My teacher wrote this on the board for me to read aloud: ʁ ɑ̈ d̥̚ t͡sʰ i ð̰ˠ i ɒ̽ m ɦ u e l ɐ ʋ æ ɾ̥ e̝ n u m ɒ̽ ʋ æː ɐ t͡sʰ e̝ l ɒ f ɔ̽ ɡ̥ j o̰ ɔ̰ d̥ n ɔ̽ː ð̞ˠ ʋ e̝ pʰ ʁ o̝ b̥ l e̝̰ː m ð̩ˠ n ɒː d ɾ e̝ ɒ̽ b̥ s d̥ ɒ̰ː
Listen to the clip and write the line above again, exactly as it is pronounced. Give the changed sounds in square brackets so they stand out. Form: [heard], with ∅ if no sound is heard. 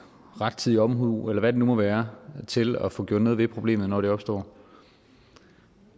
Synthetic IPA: ʁ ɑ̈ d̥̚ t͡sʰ i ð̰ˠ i ɒ̽ m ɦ u e l ɐ ʋ æ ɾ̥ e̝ n u m ɒ̽ ʋ æː ɐ t͡sʰ e̝ l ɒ f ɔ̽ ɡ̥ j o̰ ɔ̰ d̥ n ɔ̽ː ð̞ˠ ʋ e̝ pʰ ʁ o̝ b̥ l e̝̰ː m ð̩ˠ n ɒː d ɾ e̝ ɒ̽ b̥ s d̥ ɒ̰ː